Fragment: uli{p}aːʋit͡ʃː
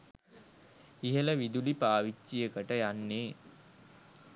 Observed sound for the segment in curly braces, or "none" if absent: p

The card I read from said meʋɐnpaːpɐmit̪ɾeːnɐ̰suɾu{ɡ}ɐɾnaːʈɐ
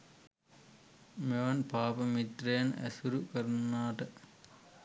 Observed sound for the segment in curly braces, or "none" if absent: k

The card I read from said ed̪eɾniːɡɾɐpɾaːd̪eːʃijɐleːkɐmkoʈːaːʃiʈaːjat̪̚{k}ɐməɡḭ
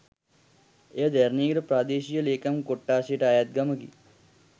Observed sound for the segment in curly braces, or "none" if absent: ɡ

